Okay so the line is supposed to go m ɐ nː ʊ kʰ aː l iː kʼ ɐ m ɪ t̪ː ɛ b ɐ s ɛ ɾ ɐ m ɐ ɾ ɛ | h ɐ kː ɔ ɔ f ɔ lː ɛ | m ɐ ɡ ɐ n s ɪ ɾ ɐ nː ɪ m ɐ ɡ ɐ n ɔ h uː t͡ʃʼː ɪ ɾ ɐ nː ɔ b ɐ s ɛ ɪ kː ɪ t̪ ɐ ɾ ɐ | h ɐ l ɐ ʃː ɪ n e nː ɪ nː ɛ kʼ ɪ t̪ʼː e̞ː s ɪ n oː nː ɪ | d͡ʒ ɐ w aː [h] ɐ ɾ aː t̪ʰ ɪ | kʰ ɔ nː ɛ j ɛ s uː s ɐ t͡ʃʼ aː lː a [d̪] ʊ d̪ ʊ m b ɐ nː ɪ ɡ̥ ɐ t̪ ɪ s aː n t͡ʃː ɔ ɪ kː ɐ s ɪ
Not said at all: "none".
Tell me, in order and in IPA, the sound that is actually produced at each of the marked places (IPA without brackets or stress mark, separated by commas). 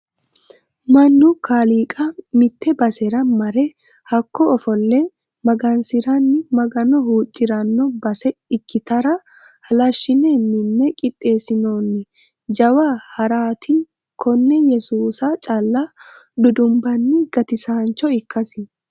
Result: h, d̪